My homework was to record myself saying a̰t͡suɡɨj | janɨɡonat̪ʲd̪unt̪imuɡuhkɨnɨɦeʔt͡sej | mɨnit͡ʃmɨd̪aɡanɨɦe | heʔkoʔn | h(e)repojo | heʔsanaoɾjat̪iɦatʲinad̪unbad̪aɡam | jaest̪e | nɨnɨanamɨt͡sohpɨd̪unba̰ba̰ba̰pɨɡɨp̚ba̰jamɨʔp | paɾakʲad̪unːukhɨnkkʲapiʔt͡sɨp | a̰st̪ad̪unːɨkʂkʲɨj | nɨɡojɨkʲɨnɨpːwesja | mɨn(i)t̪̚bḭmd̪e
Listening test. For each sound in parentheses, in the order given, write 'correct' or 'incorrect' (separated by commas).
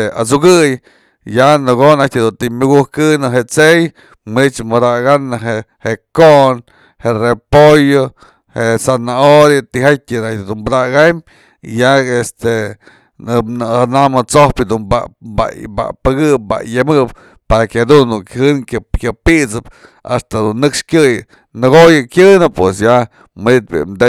correct, correct